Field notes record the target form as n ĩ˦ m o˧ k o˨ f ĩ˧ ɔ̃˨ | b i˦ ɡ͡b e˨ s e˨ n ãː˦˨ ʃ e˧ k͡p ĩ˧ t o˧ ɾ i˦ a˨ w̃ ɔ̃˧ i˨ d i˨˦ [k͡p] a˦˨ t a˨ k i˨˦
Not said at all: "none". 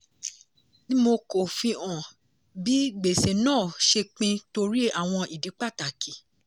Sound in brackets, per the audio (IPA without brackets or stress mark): k͡p